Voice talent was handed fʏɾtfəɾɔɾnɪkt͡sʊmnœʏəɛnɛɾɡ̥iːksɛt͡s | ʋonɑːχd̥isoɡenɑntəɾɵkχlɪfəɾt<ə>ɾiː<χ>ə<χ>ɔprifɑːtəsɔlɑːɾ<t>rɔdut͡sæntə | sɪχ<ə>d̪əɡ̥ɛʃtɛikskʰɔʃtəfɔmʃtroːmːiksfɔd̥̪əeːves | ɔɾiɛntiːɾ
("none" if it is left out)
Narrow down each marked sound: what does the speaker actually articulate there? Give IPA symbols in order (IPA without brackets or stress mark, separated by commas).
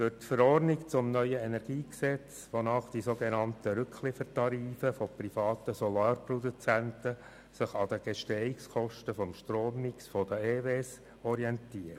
ɑ, f, f, p, ɑ